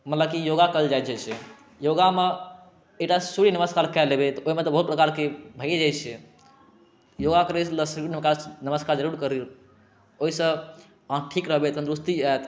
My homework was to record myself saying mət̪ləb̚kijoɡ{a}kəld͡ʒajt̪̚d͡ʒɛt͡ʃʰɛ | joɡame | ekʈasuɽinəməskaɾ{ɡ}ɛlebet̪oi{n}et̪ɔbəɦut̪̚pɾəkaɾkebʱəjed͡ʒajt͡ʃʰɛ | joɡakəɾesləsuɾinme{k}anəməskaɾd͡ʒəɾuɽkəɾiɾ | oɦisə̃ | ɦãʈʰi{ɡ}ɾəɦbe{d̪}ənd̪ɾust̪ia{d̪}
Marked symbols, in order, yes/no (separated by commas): yes, no, no, yes, no, no, no